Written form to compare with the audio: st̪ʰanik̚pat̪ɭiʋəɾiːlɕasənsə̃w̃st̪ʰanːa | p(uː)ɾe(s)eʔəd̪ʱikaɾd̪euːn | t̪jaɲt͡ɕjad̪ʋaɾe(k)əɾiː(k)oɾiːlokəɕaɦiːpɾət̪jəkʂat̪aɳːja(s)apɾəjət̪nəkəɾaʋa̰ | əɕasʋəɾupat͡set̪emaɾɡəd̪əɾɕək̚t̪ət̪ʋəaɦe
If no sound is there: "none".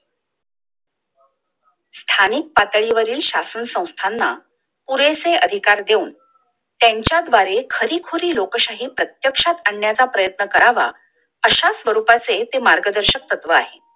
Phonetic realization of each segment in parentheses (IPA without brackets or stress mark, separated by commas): u, s, kʰ, kʰ, t͡s